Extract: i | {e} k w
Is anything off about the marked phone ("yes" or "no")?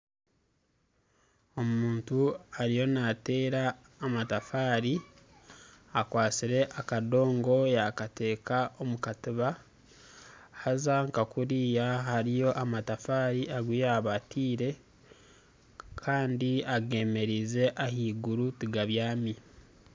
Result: yes